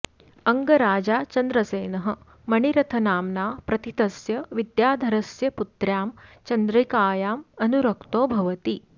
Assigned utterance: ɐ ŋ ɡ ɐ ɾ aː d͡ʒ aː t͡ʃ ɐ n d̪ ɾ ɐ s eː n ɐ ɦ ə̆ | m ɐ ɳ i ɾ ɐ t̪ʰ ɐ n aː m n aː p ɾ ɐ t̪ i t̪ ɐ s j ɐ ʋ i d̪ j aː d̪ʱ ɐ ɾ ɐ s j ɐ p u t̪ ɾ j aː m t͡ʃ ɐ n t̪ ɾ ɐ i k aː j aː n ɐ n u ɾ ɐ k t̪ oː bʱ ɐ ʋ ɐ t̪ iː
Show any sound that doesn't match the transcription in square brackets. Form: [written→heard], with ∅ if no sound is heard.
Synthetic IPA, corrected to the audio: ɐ ŋ ɡ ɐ ɾ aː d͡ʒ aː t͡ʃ ɐ n d̪ ɾ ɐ s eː n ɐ ɦ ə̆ | m ɐ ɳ i ɾ ɐ t̪ʰ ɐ n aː m n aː p ɾ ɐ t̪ i t̪ ɐ s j ɐ ʋ i d̪ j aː d̪ʱ ɐ ɾ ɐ s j ɐ p u t̪ ɾ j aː m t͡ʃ ɐ n [t̪→d̪] ɾ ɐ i k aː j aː [n→m] ɐ n u ɾ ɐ k t̪ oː bʱ ɐ ʋ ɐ t̪ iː